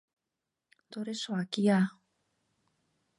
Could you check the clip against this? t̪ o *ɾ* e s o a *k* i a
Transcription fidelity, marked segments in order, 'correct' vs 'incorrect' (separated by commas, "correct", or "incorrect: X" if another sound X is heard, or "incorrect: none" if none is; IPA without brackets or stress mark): correct, correct